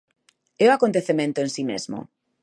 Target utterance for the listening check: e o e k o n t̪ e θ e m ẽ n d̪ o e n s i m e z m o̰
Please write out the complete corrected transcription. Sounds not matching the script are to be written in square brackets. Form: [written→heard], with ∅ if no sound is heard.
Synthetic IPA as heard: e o [e→a] k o n t̪ e θ e m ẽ n [d̪→t̪] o e n s i m e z m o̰